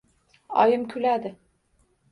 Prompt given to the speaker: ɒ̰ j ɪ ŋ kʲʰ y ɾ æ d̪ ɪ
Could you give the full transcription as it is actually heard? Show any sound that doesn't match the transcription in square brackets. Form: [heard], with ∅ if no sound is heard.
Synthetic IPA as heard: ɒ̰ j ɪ [m] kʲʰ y [l] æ d̪ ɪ